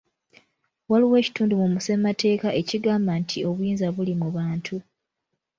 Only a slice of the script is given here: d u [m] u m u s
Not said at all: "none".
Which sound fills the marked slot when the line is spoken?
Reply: m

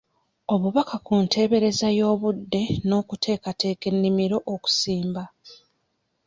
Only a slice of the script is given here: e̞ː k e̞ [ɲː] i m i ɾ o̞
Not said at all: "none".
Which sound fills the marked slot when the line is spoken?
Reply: nː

